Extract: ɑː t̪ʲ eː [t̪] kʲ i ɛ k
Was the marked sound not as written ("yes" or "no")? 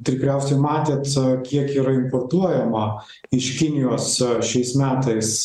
no